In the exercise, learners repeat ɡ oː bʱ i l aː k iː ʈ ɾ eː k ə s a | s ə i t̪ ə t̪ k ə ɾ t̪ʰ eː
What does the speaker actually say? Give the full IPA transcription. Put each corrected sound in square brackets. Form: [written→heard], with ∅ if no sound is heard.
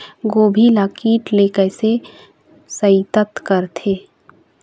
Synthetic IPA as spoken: ɡ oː bʱ i l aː k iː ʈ [ɾ→l] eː k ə s [a→e] | s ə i t̪ ə t̪ k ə ɾ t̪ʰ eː

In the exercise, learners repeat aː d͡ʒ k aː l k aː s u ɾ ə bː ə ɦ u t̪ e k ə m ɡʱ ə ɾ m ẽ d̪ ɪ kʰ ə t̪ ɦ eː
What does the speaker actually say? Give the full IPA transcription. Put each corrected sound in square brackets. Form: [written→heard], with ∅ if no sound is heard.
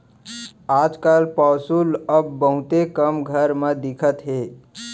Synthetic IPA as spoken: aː d͡ʒ k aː l [k→p] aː s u [ɾ→l] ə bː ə ɦ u t̪ e k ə m ɡʱ ə ɾ m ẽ d̪ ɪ kʰ ə t̪ ɦ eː

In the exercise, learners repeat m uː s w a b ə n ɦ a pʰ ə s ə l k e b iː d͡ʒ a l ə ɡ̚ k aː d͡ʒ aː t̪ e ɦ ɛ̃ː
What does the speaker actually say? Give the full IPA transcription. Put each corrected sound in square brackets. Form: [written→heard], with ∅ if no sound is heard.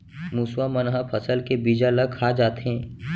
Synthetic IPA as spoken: m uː s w a [b→m] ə n ɦ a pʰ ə s ə l k e b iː d͡ʒ a l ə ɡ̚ [k→kʰ] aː d͡ʒ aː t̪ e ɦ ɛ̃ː

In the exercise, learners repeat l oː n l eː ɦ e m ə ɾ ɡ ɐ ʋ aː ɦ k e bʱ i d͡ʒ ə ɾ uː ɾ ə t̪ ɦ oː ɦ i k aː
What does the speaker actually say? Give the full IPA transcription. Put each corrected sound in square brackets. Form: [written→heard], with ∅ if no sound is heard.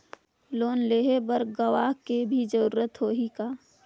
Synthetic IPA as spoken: l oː n l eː ɦ e [m→b] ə ɾ ɡ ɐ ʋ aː ɦ k e bʱ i d͡ʒ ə ɾ uː ɾ ə t̪ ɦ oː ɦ i k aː

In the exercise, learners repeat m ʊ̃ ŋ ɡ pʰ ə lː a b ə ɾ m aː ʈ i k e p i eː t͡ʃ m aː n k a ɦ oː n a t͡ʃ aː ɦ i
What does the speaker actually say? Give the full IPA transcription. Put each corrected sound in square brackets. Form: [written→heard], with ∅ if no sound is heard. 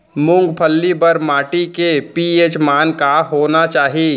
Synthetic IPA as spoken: m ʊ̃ ŋ ɡ pʰ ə lː [a→i] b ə ɾ m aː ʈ i k e p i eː t͡ʃ m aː n k a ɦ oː n a t͡ʃ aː ɦ i

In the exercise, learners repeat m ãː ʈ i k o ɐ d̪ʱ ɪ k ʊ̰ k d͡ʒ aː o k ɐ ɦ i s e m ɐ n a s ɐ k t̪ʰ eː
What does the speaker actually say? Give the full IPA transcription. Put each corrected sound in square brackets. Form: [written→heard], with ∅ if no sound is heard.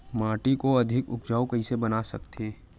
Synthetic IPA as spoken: m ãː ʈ i k o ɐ d̪ʱ ɪ k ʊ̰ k d͡ʒ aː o k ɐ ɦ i s e [m→b] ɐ n a s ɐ k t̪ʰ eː

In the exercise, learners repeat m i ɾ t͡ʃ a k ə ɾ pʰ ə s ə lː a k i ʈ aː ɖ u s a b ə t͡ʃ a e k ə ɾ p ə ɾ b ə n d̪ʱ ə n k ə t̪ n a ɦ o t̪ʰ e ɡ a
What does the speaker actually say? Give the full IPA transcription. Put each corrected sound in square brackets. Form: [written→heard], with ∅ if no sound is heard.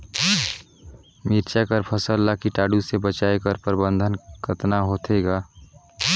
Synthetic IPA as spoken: m i ɾ t͡ʃ a k ə ɾ pʰ ə s ə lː a k i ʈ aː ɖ u s [a→e] b ə t͡ʃ a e k ə ɾ p ə ɾ b ə n d̪ʱ ə n k ə t̪ n a ɦ o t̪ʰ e ɡ a

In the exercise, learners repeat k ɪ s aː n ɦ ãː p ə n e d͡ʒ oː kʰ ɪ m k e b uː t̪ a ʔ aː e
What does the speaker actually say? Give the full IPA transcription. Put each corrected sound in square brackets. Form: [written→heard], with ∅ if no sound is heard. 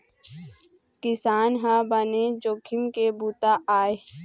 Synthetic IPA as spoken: k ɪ s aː n ɦ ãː [p→b] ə n e d͡ʒ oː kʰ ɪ m k e b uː t̪ a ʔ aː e

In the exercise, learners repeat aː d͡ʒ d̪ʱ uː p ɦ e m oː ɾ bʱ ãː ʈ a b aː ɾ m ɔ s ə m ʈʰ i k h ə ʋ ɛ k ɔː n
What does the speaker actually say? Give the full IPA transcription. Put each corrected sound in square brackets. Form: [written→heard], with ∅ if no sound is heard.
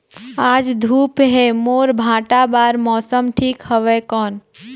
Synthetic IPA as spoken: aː d͡ʒ d̪ʱ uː p ɦ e m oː ɾ bʱ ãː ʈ a b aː ɾ m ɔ s ə m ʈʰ i k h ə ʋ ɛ k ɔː n

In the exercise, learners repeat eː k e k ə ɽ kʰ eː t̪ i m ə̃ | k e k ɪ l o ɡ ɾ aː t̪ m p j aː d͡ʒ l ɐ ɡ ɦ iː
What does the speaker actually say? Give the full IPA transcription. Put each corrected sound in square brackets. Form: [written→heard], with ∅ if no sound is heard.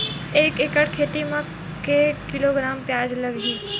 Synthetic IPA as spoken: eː k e k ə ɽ kʰ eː t̪ i m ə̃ | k e k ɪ l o ɡ ɾ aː [t̪→∅] m p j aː d͡ʒ l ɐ ɡ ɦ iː

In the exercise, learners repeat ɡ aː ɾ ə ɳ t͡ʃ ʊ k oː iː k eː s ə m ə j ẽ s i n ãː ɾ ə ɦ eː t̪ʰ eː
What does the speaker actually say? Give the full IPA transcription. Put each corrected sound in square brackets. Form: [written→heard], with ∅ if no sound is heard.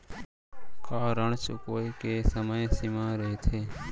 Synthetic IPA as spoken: [ɡ→k] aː ɾ ə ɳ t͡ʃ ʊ k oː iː k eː s ə m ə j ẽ s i [n→m] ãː ɾ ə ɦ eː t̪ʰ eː

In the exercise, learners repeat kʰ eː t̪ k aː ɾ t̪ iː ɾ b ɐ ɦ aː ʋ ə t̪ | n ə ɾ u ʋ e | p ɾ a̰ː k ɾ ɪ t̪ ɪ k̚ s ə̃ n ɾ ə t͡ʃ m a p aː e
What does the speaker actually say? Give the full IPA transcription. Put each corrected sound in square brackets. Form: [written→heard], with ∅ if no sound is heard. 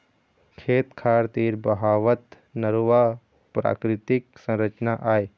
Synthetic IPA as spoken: kʰ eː t̪ [k→kʰ] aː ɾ t̪ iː ɾ b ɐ ɦ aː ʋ ə t̪ | n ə ɾ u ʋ [e→a] | p ɾ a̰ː k ɾ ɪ t̪ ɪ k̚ s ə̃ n ɾ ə t͡ʃ [m→n] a [p→ʔ] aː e

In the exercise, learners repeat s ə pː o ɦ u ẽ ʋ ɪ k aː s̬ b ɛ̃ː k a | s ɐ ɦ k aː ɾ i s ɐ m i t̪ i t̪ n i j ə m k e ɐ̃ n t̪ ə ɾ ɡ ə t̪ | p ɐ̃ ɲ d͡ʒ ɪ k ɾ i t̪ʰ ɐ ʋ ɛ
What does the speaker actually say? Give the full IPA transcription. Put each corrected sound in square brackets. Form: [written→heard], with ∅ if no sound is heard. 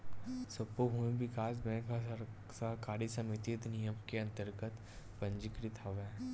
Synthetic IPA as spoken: s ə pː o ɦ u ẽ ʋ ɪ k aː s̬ b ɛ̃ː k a | s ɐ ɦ k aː ɾ i s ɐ m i t̪ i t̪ n i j ə m k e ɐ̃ n t̪ ə ɾ ɡ ə t̪ | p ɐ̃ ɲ d͡ʒ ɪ k ɾ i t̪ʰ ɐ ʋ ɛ

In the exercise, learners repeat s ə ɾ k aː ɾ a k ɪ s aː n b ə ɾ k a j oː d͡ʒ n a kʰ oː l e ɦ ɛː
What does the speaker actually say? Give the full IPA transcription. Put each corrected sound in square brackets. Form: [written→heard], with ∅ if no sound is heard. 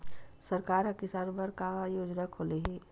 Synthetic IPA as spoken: s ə ɾ k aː ɾ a k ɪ s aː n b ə ɾ k a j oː d͡ʒ n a kʰ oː l e ɦ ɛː

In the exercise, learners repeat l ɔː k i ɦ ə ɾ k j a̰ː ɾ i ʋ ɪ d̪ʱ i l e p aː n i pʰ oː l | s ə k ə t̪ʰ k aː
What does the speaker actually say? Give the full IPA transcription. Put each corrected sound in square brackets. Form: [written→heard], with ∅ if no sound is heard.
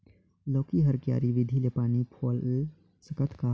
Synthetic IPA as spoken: l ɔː k i ɦ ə ɾ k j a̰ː ɾ i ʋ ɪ d̪ʱ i l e p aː n i pʰ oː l | s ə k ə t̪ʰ k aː

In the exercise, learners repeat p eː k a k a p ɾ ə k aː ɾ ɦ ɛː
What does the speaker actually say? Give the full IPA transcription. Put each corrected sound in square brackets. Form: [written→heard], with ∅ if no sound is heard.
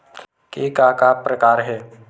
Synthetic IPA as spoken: [p→k] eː k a k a p ɾ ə k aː ɾ ɦ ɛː

